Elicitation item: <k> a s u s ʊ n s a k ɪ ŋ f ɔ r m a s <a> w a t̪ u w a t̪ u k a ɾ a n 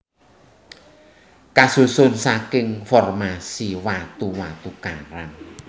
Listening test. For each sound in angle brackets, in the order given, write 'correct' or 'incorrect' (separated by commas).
correct, incorrect